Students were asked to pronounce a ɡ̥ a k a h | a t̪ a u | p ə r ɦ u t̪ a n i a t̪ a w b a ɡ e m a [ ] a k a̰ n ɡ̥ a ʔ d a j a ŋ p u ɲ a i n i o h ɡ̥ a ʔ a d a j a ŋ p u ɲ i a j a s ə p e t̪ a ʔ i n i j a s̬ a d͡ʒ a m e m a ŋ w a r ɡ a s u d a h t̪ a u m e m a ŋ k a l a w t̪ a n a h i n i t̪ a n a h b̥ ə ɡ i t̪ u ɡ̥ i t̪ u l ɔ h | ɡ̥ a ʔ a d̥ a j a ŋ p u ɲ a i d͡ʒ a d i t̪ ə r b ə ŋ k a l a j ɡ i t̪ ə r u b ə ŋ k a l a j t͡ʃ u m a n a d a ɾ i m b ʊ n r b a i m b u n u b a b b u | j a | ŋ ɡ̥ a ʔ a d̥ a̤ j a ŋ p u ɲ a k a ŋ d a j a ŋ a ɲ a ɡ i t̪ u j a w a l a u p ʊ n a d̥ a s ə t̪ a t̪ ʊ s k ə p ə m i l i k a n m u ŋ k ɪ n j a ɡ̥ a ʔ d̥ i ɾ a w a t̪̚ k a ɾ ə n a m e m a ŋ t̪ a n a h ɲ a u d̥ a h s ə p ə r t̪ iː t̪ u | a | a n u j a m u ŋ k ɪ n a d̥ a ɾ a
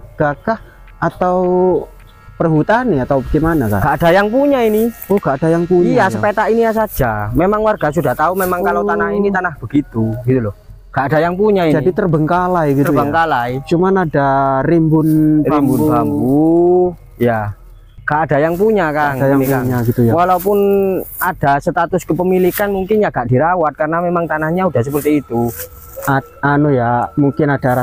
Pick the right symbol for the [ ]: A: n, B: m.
A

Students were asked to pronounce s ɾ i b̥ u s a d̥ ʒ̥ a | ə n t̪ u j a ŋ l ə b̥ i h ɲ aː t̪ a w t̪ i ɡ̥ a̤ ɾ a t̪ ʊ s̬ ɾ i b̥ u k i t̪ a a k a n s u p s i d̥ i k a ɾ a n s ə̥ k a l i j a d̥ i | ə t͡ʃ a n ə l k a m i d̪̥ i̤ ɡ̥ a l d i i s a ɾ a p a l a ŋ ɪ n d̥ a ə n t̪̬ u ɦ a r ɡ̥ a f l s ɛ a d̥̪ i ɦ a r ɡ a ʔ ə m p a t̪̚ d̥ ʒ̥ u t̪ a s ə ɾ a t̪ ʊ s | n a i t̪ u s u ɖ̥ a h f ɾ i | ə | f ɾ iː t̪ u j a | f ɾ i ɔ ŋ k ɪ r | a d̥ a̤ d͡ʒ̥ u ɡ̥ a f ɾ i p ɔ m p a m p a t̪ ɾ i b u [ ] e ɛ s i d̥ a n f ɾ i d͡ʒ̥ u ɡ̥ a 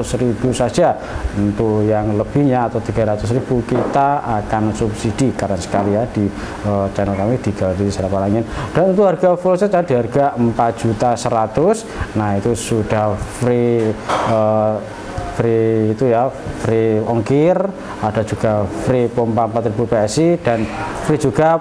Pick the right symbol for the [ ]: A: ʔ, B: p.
B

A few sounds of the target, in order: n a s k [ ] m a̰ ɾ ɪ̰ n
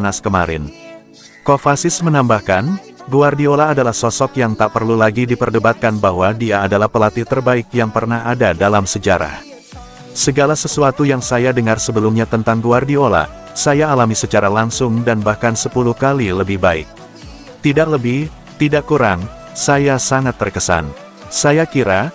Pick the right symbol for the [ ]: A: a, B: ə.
B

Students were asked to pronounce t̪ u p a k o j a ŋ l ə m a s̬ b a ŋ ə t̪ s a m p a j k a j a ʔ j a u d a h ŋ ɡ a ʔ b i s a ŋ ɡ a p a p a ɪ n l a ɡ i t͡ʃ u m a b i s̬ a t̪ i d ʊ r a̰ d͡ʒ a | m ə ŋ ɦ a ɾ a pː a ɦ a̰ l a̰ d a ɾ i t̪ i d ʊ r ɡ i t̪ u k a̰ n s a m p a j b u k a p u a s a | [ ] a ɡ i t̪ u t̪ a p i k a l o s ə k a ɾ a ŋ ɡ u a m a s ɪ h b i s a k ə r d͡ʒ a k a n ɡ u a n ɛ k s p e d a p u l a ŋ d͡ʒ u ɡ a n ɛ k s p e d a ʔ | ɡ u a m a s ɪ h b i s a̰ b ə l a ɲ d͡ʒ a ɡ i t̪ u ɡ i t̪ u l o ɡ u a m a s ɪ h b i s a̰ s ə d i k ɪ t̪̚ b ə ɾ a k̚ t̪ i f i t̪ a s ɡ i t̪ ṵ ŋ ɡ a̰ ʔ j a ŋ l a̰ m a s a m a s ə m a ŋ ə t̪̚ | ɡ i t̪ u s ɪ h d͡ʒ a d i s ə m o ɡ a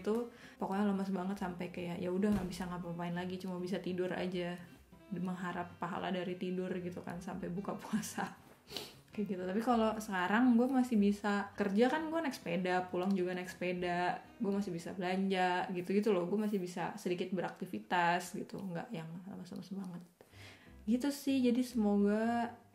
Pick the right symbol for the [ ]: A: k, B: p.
A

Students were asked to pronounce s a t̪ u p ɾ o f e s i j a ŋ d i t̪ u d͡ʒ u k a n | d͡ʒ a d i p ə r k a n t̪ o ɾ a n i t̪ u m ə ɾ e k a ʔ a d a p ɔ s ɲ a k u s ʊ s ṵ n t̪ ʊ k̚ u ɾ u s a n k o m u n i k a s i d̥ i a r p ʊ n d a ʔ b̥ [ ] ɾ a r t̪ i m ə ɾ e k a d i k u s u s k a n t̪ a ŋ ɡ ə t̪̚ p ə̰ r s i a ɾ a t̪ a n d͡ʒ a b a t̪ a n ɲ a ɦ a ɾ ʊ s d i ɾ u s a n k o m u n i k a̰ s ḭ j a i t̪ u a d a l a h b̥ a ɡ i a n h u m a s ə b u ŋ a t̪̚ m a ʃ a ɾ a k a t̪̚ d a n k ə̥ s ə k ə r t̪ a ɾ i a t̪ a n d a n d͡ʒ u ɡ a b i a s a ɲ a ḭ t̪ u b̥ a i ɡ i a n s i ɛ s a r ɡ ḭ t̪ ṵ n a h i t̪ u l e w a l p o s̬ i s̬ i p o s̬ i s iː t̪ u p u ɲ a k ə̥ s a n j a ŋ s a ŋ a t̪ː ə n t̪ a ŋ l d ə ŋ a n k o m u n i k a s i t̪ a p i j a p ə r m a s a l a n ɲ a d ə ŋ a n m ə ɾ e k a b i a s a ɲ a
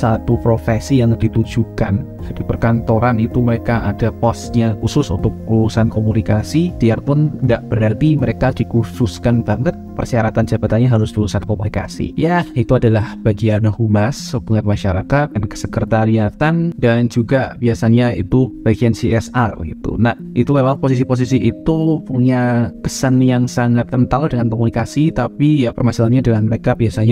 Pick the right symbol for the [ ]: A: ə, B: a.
A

